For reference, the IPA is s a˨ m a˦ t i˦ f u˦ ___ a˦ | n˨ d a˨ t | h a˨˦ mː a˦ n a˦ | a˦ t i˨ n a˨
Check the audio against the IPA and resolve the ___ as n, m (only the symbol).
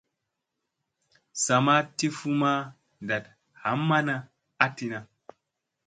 m